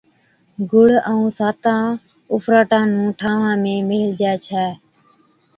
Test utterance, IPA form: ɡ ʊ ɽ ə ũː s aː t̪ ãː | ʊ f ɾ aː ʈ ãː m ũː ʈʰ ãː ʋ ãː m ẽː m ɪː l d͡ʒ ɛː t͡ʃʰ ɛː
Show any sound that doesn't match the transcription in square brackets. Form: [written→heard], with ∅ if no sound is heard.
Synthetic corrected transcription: ɡ ʊ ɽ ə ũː s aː t̪ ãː | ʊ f ɾ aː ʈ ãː [m→n] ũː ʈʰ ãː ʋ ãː m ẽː m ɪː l d͡ʒ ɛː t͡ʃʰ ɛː